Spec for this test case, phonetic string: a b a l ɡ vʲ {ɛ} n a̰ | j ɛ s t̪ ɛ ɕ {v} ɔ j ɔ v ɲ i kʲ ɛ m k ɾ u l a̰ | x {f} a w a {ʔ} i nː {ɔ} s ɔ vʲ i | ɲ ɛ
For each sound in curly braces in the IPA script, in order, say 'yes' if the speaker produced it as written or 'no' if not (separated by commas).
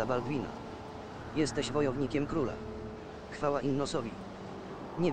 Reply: no, yes, yes, yes, yes